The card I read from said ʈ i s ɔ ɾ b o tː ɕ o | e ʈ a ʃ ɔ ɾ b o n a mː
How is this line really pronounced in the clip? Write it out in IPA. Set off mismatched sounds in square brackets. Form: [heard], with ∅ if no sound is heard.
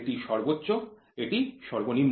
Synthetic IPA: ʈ i [ʃ] ɔ ɾ b o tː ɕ o | e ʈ [i] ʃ ɔ ɾ b o n [i] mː